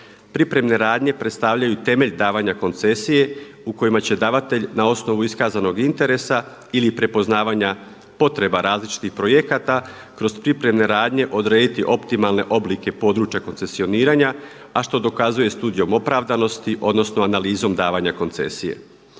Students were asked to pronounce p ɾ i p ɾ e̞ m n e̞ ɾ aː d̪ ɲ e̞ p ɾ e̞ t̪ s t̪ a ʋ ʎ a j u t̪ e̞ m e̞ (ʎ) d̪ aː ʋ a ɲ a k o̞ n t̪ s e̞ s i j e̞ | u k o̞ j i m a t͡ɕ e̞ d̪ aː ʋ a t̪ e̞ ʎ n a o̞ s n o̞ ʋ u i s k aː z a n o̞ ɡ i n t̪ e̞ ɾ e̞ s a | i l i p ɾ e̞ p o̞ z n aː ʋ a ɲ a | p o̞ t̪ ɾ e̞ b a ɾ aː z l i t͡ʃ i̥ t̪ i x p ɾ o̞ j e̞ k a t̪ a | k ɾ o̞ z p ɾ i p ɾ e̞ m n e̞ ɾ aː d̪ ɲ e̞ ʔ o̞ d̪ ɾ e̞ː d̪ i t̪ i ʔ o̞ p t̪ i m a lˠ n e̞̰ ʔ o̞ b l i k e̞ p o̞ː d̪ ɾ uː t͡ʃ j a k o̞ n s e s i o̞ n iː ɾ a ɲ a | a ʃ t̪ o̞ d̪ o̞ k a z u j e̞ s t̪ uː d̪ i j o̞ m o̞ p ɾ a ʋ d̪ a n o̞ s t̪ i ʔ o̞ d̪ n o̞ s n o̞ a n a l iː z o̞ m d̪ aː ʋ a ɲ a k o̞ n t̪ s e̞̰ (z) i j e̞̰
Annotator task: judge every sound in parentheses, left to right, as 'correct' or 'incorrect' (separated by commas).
correct, incorrect